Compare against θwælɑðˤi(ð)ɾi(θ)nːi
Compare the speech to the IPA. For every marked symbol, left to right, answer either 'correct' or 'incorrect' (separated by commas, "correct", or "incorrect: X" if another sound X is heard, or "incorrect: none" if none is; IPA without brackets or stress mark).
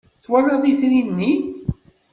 incorrect: θ, incorrect: none